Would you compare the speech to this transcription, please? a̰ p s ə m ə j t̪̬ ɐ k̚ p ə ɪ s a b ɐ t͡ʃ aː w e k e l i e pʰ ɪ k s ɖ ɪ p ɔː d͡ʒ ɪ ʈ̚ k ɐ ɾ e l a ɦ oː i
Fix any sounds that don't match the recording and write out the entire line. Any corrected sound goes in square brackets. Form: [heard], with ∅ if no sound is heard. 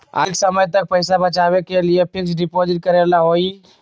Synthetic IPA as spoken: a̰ [k] s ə m ə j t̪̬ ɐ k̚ p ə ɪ s a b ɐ t͡ʃ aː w e k e l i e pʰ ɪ k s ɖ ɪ p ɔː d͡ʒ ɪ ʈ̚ k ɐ ɾ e l a ɦ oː i